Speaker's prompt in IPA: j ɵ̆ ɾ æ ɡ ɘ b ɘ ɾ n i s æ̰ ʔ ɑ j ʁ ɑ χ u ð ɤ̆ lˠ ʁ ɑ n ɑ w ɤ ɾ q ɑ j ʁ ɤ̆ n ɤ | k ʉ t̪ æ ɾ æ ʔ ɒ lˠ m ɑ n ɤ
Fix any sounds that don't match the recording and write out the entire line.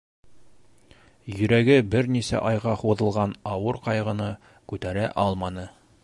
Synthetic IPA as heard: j ɵ̆ ɾ æ ɡ ɘ b ɘ ɾ n i s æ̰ ʔ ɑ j ʁ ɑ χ u ð ɤ̆ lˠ ʁ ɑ n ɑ w ɤ ɾ q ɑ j ʁ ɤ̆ n ɤ | k ʉ t̪ æ ɾ æ ʔ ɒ lˠ m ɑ n ɤ